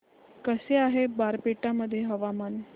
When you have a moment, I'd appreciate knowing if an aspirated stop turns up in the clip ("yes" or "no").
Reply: no